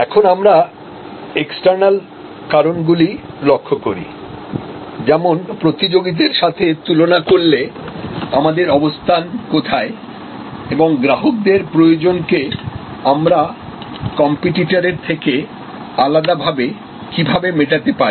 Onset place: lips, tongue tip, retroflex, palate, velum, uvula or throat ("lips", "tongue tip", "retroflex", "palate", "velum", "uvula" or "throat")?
velum